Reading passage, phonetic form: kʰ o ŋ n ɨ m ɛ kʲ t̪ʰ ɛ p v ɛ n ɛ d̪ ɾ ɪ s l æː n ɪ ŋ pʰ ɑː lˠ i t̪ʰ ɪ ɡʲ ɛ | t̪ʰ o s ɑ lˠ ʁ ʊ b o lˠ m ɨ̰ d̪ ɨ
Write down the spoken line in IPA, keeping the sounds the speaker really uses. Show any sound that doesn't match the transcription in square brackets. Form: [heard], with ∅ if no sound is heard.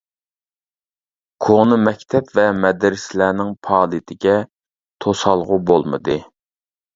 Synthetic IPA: kʰ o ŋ n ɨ m ɛ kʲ t̪ʰ ɛ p v ɛ [m] ɛ d̪ ɾ ɪ s l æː n ɪ ŋ pʰ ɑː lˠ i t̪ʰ ɪ ɡʲ ɛ | t̪ʰ o s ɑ lˠ ʁ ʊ b o lˠ m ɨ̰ d̪ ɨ